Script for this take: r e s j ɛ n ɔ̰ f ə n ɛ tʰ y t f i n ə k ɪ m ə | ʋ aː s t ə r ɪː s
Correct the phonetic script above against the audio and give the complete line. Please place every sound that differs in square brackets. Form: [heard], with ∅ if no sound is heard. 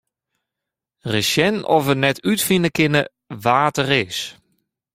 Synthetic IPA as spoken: r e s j ɛ n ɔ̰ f ə n ɛ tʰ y t f i n ə k ɪ [n] ə | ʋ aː [∅] t ə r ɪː s